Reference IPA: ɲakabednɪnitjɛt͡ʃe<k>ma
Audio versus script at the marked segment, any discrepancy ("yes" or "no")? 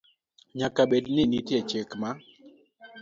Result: no